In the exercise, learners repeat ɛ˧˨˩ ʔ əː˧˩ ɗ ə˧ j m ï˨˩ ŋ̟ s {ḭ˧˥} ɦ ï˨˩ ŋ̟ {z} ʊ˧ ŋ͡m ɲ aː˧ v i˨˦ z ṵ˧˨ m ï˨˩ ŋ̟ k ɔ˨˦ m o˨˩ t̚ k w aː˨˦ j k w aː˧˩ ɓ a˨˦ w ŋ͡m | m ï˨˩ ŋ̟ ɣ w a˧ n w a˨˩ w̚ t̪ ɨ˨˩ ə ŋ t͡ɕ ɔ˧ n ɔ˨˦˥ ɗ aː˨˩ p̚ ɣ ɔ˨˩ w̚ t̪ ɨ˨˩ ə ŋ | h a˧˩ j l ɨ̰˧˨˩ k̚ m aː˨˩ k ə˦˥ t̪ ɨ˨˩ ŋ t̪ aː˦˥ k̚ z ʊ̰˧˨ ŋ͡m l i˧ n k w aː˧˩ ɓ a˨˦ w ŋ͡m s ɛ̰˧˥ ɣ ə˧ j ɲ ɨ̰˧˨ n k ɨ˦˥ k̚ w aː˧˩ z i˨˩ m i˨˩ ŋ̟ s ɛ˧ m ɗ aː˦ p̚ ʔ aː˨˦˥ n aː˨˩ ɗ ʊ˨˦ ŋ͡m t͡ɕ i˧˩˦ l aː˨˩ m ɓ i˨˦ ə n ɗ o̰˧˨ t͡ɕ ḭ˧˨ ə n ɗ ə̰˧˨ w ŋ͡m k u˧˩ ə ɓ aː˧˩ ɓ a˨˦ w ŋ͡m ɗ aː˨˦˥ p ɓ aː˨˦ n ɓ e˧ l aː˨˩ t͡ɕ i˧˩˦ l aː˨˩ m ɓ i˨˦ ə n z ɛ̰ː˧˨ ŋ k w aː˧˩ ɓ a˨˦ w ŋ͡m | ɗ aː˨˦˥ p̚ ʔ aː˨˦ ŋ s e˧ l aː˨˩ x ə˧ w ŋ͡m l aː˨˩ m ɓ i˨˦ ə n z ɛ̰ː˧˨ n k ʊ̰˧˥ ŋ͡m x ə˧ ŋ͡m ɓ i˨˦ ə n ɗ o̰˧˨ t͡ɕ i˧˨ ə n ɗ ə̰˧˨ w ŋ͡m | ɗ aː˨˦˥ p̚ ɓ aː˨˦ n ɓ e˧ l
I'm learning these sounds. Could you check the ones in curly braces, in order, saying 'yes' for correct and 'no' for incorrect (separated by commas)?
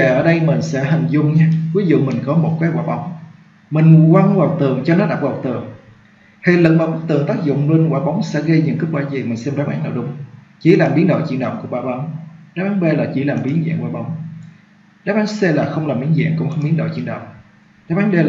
no, yes